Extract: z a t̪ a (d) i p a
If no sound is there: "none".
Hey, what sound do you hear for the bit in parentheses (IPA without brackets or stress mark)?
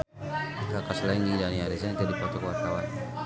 d